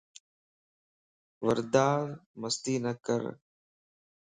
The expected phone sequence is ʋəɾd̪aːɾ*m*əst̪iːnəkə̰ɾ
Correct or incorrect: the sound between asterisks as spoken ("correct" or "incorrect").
correct